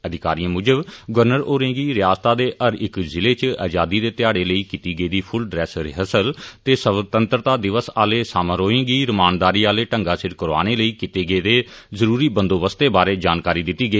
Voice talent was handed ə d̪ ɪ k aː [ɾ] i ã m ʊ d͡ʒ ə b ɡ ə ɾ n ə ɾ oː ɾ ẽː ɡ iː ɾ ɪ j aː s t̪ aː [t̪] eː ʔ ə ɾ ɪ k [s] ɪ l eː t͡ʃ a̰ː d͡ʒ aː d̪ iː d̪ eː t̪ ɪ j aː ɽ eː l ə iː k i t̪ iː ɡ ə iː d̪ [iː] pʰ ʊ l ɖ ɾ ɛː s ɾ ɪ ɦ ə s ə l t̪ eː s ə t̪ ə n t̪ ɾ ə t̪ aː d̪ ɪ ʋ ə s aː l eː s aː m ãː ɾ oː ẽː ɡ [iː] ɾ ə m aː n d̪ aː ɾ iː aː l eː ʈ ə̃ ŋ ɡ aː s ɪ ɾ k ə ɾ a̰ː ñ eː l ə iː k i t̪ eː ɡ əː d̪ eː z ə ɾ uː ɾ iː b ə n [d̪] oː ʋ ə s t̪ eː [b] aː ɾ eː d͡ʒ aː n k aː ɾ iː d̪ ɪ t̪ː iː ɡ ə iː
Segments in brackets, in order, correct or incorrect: correct, incorrect: d̪, incorrect: z, correct, correct, correct, correct

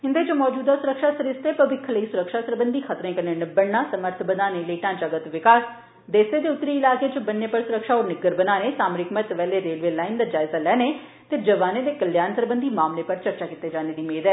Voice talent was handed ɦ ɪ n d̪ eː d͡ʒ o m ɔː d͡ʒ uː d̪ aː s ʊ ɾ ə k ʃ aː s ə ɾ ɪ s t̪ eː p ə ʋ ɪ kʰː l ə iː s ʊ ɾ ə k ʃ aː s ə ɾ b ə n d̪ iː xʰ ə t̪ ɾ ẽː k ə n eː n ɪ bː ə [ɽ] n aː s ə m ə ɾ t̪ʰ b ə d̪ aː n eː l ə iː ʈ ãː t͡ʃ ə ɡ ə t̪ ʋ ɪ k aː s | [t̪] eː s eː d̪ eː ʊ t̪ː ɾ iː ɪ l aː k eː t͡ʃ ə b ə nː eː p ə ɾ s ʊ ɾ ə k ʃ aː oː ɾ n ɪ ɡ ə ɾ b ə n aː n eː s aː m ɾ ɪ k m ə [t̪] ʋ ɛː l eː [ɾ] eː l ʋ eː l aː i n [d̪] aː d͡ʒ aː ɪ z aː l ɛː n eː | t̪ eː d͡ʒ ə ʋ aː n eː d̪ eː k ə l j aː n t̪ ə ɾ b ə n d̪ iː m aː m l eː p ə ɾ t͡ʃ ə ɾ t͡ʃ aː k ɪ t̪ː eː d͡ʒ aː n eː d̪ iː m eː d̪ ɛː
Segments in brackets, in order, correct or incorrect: correct, incorrect: d̪, correct, correct, correct

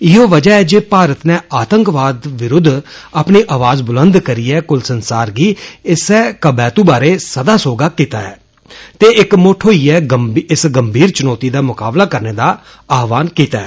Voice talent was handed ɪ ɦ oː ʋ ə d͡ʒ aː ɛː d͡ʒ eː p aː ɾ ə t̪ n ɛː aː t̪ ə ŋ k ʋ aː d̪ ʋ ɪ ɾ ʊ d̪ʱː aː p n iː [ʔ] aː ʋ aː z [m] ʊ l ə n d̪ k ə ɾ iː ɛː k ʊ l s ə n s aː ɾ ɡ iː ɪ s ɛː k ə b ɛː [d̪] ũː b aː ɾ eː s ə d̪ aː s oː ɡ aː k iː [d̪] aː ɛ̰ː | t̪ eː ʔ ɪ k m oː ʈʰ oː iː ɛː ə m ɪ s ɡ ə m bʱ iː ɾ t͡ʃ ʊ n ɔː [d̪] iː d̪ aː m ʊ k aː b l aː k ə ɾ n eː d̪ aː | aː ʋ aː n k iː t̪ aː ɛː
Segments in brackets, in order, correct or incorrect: correct, incorrect: b, incorrect: t̪, incorrect: t̪, incorrect: t̪

